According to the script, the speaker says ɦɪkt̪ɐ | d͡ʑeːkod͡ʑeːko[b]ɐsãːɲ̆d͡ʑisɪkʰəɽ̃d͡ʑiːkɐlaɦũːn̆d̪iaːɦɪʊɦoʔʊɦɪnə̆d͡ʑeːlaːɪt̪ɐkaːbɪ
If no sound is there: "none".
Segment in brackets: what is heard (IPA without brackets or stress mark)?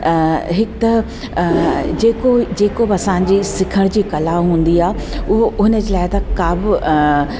b